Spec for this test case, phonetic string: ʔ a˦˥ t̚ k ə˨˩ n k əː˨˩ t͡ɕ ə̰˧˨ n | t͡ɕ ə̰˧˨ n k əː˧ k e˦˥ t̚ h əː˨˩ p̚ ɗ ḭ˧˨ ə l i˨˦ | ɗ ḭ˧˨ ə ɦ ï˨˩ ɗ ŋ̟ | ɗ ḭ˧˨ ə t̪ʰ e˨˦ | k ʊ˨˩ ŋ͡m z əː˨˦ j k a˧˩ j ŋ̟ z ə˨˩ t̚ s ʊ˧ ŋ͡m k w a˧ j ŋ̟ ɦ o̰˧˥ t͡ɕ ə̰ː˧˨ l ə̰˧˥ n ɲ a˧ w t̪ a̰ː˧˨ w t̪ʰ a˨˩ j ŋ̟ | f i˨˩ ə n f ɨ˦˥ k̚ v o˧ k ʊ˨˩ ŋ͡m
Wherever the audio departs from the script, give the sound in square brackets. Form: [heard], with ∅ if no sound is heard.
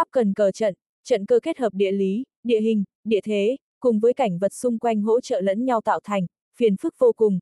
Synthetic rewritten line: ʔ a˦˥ [p̚] k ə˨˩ n k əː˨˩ t͡ɕ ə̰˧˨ n | t͡ɕ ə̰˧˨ n k əː˧ k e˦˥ t̚ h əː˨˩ p̚ ɗ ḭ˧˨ ə l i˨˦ | ɗ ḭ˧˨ ə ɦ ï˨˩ [∅] ŋ̟ | ɗ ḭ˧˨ ə t̪ʰ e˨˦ | k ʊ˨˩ ŋ͡m [v] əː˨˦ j k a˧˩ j ŋ̟ [v] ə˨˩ t̚ s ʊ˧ ŋ͡m k w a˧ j ŋ̟ ɦ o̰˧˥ t͡ɕ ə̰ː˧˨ l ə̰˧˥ n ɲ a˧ w t̪ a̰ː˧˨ w t̪ʰ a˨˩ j ŋ̟ | f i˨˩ ə n f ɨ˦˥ k̚ v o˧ k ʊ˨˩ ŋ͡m